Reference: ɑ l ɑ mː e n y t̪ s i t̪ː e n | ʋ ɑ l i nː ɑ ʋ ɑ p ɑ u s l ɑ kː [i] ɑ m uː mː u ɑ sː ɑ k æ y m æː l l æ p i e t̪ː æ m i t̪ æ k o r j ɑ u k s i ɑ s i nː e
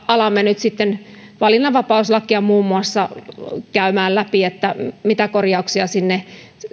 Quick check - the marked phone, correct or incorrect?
correct